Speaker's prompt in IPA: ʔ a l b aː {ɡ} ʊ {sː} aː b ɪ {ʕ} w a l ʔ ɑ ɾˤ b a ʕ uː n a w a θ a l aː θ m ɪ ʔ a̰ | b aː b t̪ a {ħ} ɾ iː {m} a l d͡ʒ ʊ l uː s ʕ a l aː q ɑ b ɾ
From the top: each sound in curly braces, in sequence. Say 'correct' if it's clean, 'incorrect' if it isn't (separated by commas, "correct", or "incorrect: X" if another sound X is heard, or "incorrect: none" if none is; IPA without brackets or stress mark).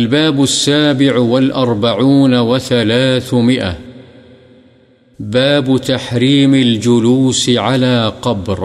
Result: incorrect: b, correct, correct, correct, correct